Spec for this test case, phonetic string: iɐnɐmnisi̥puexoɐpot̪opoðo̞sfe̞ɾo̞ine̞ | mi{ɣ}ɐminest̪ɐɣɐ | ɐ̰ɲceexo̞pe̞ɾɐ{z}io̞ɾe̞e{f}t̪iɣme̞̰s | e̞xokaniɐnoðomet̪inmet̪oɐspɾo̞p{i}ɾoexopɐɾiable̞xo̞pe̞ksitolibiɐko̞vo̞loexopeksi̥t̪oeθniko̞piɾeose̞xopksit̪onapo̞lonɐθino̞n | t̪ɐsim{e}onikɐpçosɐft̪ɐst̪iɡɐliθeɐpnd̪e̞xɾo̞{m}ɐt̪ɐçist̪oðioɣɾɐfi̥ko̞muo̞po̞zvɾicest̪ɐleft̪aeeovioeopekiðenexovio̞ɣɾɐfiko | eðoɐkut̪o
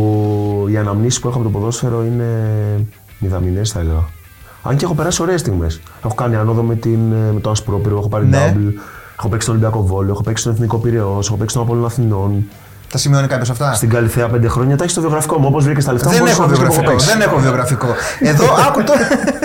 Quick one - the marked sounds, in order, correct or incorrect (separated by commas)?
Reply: incorrect, incorrect, incorrect, correct, incorrect, incorrect